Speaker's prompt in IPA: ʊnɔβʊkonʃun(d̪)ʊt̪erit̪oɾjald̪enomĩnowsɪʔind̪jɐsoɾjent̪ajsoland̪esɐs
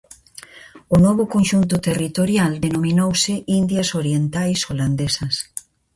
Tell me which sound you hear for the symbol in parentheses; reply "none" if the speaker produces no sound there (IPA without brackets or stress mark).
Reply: t̪